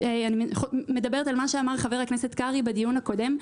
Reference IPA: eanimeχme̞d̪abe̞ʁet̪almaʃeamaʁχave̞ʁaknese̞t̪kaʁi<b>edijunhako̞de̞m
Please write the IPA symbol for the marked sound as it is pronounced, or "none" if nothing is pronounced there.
b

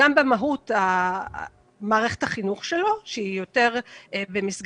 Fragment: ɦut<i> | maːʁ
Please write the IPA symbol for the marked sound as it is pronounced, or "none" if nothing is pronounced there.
a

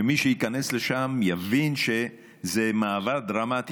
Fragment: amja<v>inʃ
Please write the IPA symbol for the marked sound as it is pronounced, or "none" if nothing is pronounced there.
v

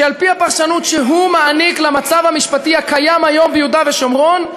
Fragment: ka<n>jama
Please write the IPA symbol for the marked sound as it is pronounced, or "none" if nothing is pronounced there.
none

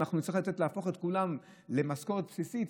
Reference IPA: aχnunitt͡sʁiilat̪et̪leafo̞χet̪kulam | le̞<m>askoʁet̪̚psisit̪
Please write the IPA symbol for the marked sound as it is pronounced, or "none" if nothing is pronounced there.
m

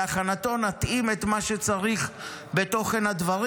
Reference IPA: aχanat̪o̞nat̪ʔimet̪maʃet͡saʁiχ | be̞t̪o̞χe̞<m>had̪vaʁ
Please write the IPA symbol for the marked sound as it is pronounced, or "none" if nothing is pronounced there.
n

